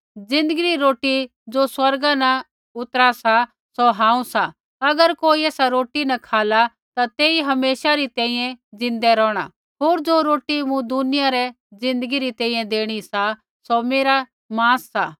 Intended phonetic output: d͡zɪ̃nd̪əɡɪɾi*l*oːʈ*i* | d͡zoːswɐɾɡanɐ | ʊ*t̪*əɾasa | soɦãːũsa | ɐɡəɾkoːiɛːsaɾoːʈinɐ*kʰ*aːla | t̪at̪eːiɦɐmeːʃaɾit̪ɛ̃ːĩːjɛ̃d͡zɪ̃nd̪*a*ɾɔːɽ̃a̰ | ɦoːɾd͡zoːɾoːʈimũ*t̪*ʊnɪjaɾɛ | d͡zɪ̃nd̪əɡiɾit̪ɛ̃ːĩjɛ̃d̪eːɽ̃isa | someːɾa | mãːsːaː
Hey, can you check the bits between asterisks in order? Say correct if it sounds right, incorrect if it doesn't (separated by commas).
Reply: incorrect, correct, correct, correct, incorrect, incorrect